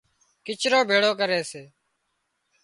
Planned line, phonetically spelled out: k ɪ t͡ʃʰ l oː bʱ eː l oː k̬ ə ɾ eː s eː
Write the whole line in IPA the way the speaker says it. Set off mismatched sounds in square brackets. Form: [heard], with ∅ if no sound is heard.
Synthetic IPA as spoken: k ɪ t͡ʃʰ [ɾ] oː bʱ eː [ɽ] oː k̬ ə ɾ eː s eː